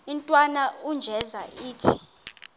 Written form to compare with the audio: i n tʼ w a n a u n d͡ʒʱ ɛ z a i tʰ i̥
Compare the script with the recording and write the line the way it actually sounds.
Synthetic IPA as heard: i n tʼ w a n a u n d͡ʒʱ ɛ z a iː tʰ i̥